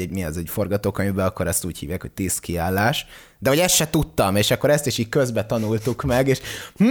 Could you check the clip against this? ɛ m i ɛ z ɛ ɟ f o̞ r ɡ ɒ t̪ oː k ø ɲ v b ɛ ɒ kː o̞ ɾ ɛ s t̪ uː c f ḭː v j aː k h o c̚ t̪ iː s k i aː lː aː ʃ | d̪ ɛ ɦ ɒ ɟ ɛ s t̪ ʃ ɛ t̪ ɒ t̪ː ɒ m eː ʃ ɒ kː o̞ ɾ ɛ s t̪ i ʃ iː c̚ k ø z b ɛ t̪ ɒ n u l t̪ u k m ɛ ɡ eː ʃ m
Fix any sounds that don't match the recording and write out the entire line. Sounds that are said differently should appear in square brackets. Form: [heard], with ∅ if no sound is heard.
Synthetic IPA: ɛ m i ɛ z ɛ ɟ f o̞ r ɡ ɒ t̪ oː k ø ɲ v b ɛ ɒ kː o̞ ɾ ɛ s t̪ uː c [h] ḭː v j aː k h o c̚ t̪ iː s k i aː lː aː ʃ | d̪ ɛ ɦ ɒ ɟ ɛ s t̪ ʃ ɛ t̪ [u] t̪ː ɒ m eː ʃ ɒ kː o̞ ɾ ɛ s t̪ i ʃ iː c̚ k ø z b ɛ t̪ ɒ n u l t̪ u k m ɛ ɡ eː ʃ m